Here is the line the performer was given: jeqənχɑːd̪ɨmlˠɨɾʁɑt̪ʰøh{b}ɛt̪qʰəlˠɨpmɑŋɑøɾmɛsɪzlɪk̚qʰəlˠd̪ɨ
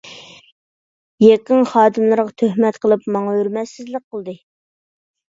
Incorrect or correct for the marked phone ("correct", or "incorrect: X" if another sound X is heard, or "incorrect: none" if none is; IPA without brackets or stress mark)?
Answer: incorrect: m